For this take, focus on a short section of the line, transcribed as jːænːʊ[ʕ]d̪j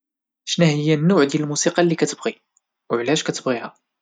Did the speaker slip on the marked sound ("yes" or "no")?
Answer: no